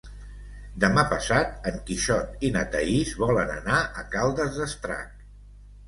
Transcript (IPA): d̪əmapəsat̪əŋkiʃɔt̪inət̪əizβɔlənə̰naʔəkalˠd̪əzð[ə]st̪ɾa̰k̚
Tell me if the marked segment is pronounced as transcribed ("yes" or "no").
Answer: yes